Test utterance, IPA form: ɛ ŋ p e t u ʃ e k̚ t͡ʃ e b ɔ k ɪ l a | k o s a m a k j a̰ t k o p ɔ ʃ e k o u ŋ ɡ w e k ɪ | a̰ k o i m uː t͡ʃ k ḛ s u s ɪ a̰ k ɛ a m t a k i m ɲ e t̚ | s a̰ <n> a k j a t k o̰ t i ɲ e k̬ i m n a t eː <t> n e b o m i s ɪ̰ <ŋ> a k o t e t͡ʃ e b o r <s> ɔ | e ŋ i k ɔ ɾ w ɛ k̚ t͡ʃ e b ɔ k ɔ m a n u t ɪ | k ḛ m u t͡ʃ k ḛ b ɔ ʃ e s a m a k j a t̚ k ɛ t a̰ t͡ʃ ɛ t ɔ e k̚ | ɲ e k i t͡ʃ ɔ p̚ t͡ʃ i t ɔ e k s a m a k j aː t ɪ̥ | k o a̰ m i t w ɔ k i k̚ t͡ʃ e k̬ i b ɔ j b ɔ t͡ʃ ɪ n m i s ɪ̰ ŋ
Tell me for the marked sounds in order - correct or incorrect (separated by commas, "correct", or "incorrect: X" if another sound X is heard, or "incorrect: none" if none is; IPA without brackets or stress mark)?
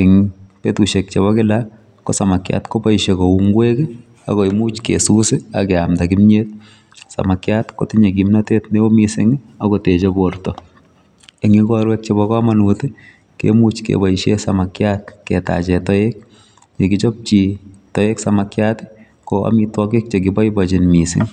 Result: incorrect: m, correct, correct, incorrect: t